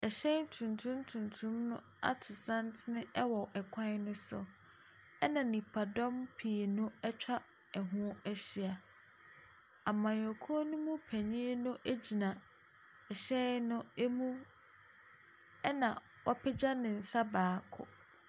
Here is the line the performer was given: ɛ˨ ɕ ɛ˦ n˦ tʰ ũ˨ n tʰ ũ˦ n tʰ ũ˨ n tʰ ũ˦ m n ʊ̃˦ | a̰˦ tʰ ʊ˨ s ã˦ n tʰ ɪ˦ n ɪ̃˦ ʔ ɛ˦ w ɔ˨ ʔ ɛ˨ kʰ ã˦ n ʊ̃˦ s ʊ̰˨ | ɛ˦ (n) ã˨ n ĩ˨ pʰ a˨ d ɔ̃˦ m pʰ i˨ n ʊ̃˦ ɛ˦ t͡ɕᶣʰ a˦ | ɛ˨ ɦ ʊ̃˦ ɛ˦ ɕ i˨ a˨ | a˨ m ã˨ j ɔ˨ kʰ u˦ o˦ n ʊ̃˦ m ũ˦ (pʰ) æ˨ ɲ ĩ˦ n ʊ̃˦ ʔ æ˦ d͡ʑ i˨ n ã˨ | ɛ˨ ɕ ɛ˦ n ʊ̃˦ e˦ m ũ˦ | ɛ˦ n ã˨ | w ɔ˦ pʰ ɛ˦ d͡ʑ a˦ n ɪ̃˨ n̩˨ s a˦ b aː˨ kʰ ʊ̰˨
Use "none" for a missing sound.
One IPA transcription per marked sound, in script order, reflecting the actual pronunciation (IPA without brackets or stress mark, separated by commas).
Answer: n, pʰ